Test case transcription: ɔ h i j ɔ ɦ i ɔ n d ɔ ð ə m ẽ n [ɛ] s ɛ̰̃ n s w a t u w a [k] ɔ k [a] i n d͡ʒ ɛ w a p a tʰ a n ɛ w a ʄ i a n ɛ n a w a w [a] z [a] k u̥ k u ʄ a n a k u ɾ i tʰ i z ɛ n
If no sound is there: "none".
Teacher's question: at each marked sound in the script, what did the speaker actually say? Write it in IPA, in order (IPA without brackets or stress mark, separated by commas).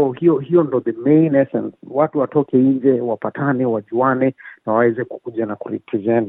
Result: ɛ, t, ɛ, ɛ, ɛ